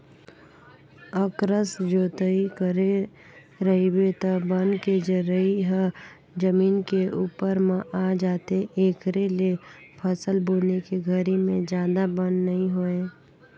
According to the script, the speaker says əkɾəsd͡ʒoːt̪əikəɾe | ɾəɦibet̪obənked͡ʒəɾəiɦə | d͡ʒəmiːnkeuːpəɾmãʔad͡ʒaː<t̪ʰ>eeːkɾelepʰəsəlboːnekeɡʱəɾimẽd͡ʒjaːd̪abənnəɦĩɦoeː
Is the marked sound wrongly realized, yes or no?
yes